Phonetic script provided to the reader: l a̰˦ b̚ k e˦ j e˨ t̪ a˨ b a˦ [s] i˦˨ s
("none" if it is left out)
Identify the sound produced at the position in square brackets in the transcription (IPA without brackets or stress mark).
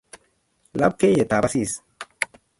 s